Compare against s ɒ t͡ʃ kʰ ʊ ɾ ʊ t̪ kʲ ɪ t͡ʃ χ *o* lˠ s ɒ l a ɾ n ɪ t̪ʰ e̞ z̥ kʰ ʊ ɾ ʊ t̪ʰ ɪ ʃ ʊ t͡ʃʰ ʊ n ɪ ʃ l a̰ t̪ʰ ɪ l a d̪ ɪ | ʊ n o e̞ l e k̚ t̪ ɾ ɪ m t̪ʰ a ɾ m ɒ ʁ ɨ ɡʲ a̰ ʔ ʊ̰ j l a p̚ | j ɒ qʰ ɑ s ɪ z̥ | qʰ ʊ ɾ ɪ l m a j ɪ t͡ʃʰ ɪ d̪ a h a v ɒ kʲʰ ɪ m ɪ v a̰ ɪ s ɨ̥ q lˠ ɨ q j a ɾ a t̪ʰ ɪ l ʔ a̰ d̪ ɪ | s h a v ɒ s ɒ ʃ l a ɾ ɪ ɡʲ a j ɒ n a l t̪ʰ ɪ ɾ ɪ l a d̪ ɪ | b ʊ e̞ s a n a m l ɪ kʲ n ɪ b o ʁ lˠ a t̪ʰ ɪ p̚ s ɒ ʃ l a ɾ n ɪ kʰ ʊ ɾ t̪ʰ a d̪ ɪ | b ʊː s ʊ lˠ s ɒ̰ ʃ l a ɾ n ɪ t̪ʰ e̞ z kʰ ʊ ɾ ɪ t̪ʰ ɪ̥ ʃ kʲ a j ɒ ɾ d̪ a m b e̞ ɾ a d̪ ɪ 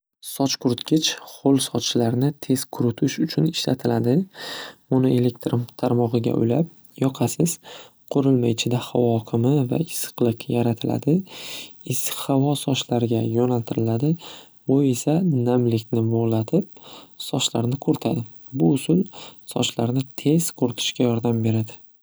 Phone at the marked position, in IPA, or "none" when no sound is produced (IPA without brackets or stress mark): o